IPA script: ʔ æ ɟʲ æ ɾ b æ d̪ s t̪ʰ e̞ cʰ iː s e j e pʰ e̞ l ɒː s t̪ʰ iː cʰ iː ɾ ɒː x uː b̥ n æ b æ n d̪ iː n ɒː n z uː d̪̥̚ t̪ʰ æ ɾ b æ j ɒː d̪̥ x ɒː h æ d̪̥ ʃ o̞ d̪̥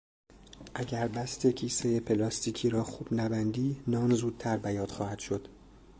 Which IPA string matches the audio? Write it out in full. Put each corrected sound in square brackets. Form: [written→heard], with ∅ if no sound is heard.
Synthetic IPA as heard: ʔ æ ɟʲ æ ɾ b æ [d̪→∅] s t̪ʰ e̞ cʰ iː s e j e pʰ e̞ l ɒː s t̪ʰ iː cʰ iː ɾ ɒː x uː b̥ n æ b æ n d̪ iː n ɒː n z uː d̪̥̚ t̪ʰ æ ɾ b æ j ɒː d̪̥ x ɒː h æ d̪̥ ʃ o̞ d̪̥